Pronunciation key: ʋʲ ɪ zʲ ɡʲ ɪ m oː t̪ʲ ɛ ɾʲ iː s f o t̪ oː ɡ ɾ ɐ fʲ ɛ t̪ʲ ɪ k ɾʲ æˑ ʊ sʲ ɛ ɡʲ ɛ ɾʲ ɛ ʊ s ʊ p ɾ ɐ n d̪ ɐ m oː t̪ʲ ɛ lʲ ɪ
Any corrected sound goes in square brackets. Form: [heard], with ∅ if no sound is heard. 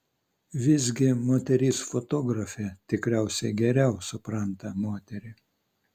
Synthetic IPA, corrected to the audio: ʋʲ ɪ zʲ ɡʲ ɪ m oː t̪ʲ ɛ ɾʲ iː s f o t̪ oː ɡ ɾ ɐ fʲ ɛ t̪ʲ ɪ k ɾʲ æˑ ʊ sʲ ɛ ɡʲ ɛ ɾʲ ɛ ʊ s ʊ p ɾ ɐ n [t̪] ɐ m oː t̪ʲ ɛ [ɾʲ] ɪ